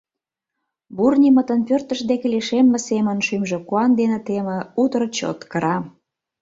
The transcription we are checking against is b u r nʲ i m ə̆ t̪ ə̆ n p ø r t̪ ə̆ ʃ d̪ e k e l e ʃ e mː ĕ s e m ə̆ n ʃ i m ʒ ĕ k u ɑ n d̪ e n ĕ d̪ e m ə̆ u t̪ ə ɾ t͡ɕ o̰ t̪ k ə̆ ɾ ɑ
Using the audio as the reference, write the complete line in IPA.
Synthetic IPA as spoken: b u r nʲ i m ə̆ t̪ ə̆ n p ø r t̪ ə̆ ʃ d̪ e k e l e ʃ e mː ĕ s e m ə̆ n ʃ y m ʒ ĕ k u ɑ n d̪ e n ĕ t̪ e m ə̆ u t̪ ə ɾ t͡ɕ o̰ t̪ k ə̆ ɾ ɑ

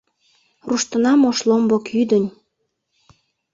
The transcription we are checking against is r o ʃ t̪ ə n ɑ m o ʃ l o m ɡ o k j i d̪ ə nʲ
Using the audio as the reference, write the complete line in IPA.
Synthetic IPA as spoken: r u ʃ t̪ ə n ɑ m o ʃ l o m b o k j y d̪ ə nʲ

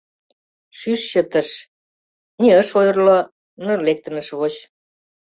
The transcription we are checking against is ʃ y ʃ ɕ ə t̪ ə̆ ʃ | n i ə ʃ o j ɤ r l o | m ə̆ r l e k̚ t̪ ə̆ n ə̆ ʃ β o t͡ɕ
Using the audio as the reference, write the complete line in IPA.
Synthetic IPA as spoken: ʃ y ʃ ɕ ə t̪ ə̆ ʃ | n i ə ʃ o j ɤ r l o | n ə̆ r l e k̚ t̪ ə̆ n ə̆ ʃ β o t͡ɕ

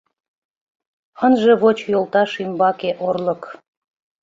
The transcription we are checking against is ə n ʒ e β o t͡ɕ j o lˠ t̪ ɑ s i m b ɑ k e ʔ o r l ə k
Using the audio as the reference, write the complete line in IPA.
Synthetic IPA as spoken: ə n ʒ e β o t͡ɕ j o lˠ t̪ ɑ ʃ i m b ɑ k e ʔ o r l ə k

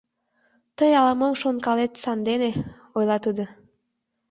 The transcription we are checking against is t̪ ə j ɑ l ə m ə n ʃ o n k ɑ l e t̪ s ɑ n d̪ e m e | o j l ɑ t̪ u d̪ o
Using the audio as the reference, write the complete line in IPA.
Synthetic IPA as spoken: t̪ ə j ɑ l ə m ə m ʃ o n k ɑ l e t̪ s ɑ n d̪ e n e | o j l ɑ t̪ u d̪ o

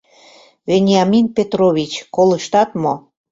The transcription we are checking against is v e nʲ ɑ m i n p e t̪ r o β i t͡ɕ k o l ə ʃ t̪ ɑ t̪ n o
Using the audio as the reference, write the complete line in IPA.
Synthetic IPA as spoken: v e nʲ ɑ m i n p e t̪ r o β i t͡ɕ k o l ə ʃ t̪ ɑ t̪ m o

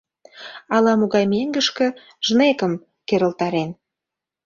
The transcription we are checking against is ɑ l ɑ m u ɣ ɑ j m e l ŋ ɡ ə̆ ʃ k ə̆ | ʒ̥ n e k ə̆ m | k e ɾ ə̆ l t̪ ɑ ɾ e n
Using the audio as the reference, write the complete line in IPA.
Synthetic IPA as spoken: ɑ l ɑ m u ɣ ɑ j m e ŋ ɡ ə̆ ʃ k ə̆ | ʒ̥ n e k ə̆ m | k e ɾ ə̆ l t̪ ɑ ɾ e n

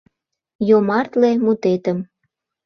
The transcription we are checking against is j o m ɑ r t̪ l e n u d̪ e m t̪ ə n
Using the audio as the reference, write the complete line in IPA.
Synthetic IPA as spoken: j o m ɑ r t̪ l e m u t̪ e t̪ ə m

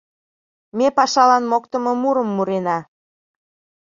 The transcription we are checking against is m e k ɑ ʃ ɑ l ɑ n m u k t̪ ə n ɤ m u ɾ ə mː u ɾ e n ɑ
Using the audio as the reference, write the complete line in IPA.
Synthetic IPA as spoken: m e p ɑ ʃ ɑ l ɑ n m o k t̪ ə m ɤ m u ɾ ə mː u ɾ e n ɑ

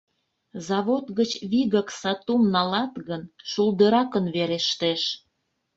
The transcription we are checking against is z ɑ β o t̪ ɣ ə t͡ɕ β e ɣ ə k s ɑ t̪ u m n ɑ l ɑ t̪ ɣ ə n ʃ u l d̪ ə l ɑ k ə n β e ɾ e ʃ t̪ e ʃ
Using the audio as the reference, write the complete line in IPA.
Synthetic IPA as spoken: z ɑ β o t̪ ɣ ə t͡ɕ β i ɣ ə k s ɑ t̪ u m n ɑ l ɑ t̪ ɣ ə n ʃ u l d̪ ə ɾ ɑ k ə n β e ɾ e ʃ t̪ e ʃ

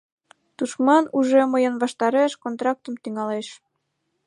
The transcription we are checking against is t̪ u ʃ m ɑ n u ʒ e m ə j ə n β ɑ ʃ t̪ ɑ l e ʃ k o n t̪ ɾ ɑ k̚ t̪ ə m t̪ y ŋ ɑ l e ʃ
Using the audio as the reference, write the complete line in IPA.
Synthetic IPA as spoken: t̪ u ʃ m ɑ n u ʒ e m ə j ə n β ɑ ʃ t̪ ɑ ɾ e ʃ k o n t̪ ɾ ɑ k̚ t̪ ə m t̪ y ŋ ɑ l e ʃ

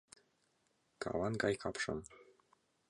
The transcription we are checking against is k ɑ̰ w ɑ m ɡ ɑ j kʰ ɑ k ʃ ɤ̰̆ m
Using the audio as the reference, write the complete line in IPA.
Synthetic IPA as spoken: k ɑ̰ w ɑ n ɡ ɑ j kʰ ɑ p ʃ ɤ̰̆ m

